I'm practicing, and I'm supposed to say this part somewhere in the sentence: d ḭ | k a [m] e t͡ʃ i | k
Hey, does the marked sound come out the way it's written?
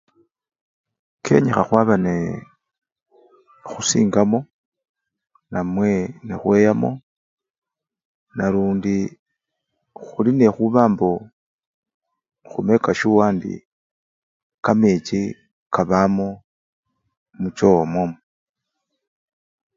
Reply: yes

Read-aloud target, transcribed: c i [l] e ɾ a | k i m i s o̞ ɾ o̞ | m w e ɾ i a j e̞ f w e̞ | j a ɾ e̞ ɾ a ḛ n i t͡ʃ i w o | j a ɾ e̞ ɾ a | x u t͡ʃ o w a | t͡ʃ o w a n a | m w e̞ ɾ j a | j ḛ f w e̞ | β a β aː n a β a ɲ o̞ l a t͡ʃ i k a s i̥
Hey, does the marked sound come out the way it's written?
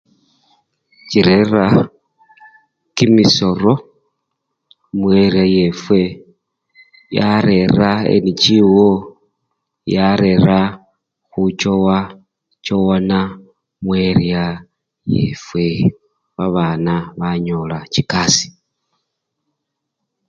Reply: no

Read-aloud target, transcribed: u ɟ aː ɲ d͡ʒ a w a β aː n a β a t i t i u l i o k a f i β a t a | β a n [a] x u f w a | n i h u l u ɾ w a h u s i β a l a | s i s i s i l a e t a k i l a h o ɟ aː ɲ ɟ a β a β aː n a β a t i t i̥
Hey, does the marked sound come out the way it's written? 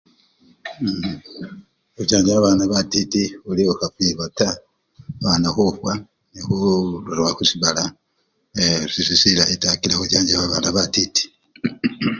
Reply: yes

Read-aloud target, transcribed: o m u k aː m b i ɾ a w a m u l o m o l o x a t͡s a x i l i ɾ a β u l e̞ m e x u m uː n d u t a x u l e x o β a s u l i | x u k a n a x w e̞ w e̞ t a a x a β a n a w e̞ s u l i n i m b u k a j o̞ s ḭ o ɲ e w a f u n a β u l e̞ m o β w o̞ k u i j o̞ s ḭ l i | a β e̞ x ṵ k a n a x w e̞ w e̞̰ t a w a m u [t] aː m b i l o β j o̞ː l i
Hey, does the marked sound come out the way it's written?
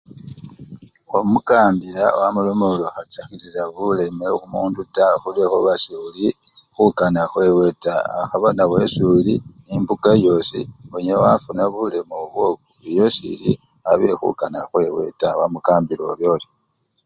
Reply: no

